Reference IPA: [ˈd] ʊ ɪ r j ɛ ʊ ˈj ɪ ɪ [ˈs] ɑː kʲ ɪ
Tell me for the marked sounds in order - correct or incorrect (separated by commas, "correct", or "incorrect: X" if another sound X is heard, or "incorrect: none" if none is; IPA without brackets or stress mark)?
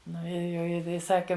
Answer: incorrect: n, correct